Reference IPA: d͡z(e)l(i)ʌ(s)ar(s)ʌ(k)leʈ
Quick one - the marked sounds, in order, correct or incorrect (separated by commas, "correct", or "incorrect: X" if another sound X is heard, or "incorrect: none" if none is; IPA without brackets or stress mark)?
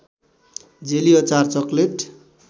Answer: correct, correct, incorrect: t͡s, incorrect: t͡s, correct